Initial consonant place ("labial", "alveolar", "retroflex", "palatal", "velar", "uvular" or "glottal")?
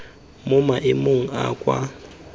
labial